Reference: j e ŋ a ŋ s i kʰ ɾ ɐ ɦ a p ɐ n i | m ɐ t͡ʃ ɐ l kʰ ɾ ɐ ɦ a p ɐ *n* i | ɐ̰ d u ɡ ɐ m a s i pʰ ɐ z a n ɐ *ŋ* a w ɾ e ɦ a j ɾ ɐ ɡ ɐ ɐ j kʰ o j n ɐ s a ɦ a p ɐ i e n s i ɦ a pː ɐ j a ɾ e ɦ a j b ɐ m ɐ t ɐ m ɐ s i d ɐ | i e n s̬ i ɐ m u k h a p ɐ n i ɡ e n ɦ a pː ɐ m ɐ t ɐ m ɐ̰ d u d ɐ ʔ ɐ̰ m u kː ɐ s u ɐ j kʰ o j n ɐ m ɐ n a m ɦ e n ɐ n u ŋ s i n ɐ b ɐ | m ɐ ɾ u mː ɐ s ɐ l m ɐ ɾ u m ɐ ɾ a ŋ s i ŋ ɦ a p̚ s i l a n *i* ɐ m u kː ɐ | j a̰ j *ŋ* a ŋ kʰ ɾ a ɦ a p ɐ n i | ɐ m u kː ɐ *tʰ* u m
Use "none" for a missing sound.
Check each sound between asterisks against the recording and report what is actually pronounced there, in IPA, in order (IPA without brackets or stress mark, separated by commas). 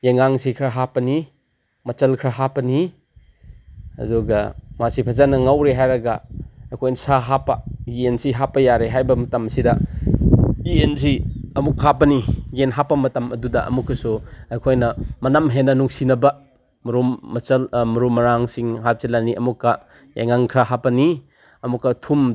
n, ŋ, i, ŋ, tʰ